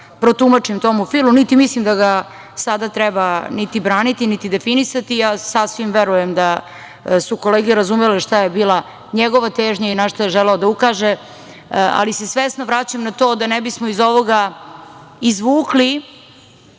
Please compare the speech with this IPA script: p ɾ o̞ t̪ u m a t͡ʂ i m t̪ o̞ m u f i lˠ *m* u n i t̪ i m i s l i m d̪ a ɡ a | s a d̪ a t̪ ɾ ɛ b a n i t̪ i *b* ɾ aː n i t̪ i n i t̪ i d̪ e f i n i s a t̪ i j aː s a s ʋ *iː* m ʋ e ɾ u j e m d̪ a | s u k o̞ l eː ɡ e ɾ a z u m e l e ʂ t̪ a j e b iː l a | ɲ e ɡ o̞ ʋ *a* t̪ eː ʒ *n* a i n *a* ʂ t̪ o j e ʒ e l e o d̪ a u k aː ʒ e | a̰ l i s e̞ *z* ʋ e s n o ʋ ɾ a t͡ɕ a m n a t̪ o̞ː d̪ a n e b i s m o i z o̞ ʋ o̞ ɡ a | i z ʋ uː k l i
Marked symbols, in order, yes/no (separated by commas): yes, yes, no, yes, no, yes, no